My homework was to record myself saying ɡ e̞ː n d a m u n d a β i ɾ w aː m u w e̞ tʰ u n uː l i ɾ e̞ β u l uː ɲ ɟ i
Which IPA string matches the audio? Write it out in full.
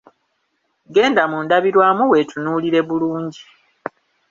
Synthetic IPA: ɡ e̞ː n d a m u n d a β i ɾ w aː m u w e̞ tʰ u n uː l i ɾ e̞ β u l uː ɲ ɟ i